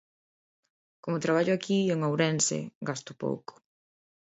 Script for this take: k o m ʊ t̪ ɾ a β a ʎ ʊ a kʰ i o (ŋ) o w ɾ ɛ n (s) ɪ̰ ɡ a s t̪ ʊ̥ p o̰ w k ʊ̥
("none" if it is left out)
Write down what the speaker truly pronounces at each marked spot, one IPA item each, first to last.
ŋ, s

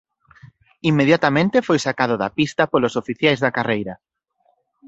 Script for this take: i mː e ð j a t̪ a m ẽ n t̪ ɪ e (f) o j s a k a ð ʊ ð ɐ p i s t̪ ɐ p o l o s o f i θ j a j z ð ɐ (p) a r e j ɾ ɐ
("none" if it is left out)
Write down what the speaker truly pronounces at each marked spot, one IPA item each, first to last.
f, k

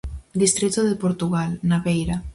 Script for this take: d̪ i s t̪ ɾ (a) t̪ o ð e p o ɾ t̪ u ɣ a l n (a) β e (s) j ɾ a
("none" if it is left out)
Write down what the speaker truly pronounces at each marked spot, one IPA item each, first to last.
i, a, none

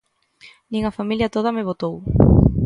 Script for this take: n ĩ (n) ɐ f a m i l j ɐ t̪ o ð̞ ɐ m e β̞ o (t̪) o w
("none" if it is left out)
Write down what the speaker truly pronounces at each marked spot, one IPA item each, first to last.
ŋ, t̪

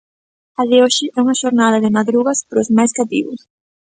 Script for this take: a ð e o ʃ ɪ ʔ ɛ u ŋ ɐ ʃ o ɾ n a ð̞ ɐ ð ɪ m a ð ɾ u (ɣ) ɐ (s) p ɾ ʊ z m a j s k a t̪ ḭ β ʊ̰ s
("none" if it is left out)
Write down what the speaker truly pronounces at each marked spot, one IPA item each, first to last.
ɣ, s

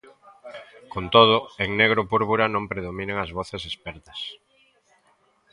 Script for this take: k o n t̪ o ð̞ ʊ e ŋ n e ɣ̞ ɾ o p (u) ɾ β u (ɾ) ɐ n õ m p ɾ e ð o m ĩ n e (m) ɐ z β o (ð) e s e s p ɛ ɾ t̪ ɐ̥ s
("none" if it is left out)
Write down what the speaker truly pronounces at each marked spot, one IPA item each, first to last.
u, ɾ, ŋ, θ

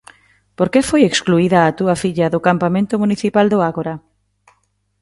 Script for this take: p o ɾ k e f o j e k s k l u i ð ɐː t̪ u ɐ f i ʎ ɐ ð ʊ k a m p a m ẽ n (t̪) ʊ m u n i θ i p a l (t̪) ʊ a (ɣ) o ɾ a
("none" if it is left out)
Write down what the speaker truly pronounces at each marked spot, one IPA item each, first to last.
t̪, d̪, ɣ

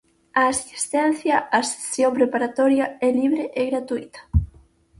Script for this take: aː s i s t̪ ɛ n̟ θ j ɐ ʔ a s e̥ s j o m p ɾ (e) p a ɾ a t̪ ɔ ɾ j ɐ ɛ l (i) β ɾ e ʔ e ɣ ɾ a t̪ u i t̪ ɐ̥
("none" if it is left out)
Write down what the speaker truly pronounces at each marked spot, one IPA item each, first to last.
e, i

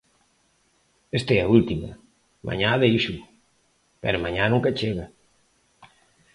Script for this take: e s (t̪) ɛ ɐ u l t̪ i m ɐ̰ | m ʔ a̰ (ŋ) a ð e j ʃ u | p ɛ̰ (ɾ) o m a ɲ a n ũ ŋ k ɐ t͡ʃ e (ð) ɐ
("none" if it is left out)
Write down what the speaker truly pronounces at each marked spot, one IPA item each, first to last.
t̪, ɲ, ɾ, ɣ

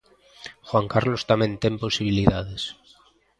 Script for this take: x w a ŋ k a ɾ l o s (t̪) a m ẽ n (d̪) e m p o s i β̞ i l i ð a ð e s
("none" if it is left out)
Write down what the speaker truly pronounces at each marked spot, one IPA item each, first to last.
t̪, t̪

